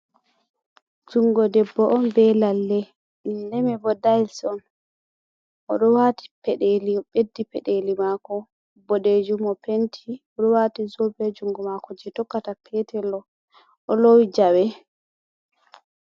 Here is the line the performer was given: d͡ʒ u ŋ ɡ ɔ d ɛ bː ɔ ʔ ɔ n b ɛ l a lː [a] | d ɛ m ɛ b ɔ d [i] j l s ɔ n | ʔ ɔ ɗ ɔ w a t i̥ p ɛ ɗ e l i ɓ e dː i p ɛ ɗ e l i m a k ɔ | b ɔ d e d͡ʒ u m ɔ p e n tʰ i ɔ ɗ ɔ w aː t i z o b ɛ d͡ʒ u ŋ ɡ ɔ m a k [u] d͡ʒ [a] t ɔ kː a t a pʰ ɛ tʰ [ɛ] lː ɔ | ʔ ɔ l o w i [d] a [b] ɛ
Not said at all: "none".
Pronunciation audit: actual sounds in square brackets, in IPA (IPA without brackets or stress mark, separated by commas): ɛ, a, ɔ, ɛ, ɛ, d͡ʒ, w